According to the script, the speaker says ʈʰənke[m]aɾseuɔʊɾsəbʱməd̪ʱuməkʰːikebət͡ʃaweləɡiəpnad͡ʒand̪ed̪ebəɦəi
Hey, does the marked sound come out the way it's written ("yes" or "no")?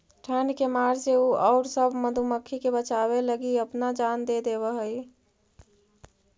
yes